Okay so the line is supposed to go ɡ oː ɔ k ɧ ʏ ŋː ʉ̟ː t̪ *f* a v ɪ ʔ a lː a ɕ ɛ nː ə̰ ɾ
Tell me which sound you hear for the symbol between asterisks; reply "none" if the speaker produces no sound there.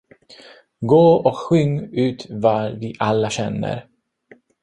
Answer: v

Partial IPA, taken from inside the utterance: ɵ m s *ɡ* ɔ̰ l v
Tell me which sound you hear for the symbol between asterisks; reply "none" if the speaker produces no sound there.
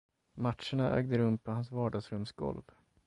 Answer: ɡ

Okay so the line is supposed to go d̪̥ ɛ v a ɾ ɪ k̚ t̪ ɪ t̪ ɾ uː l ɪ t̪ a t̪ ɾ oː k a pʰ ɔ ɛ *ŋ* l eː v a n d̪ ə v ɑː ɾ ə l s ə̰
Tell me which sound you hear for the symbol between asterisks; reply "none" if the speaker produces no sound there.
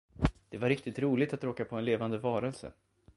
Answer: n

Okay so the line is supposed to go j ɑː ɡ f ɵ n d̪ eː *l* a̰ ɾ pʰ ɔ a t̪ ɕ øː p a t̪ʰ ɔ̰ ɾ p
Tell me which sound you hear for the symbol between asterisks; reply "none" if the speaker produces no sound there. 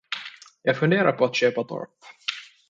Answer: ɾ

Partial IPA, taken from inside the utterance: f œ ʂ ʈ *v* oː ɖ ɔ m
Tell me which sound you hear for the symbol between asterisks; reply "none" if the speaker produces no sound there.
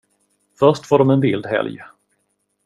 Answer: f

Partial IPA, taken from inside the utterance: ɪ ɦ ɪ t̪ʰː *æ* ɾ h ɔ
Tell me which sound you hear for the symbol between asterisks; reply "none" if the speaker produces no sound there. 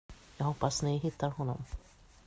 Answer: a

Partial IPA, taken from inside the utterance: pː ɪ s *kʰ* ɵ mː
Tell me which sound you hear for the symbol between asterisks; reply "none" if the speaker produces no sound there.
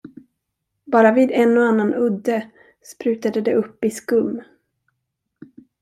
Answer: k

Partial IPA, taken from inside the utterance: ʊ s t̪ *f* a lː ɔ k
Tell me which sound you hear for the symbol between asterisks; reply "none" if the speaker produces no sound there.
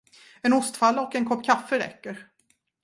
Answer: f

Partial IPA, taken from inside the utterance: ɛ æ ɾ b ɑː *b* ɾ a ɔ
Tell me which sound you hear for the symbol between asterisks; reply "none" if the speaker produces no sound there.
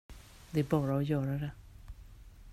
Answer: none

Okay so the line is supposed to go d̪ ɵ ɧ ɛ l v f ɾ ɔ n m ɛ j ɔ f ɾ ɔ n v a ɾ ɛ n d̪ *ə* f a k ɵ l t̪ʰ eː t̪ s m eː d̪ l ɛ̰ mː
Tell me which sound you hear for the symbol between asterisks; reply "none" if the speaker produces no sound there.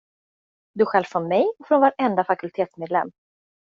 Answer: a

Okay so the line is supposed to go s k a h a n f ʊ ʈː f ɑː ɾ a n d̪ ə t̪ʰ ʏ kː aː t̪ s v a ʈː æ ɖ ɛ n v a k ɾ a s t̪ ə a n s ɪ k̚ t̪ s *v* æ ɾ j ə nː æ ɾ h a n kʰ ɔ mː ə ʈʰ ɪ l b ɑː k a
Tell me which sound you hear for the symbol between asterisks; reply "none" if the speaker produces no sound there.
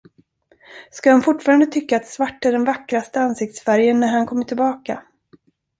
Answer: f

